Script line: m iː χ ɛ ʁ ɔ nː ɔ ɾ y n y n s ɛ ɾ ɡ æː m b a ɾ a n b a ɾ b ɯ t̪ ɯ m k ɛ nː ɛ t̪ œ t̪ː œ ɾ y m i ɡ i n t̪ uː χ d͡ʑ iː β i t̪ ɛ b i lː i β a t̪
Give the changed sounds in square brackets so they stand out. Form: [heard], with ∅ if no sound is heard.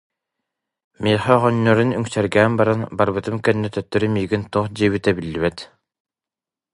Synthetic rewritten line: m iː χ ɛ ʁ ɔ nː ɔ ɾ y n y [ŋ] s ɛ ɾ ɡ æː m b a ɾ a n b a ɾ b ɯ t̪ ɯ m k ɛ nː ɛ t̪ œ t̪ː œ ɾ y m [iː] ɡ i n t̪ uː χ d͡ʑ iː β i t̪ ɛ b i lː i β [ɛ] t̪